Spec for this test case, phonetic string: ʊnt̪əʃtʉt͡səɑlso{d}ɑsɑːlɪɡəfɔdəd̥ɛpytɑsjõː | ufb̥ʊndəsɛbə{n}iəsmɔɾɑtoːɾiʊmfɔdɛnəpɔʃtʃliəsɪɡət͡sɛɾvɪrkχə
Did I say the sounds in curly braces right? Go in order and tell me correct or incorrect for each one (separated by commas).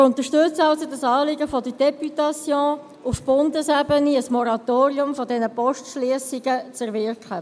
correct, correct